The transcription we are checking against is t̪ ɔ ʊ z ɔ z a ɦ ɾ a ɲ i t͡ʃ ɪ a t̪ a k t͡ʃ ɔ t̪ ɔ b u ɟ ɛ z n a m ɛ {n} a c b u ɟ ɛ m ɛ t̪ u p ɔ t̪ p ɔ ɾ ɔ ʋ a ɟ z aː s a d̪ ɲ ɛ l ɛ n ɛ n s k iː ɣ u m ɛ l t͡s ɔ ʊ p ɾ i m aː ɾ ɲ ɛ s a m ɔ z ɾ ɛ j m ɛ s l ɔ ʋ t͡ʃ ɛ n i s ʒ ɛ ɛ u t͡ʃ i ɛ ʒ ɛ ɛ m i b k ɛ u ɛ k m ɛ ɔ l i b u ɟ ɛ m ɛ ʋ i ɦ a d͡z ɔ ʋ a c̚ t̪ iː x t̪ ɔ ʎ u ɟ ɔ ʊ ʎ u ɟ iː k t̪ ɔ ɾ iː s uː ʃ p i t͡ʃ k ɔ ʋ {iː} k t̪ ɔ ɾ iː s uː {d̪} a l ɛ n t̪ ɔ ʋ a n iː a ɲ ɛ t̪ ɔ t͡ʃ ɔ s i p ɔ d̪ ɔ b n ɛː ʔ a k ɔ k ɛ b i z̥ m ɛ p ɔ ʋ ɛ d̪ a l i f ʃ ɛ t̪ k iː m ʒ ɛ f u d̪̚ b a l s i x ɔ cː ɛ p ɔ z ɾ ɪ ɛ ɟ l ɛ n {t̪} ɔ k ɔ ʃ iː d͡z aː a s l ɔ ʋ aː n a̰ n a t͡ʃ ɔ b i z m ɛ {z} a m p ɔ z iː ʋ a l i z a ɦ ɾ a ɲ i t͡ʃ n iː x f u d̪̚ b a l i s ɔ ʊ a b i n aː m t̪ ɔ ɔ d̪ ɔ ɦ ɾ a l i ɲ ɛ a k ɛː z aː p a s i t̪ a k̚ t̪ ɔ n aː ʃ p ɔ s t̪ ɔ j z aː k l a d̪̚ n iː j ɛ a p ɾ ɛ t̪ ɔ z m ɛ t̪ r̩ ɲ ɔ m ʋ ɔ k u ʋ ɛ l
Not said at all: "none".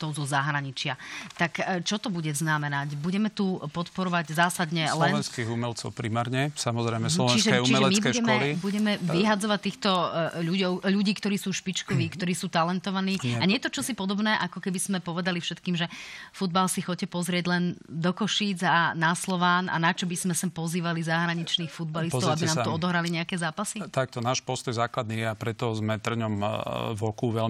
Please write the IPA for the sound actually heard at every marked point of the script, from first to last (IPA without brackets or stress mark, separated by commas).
n, iː, t̪, d̪, s